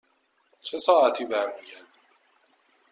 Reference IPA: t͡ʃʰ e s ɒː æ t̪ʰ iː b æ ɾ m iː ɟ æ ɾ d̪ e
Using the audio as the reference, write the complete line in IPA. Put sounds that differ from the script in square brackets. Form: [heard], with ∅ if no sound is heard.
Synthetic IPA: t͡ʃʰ e s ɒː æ t̪ʰ iː b æ ɾ m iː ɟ æ ɾ d̪ [i]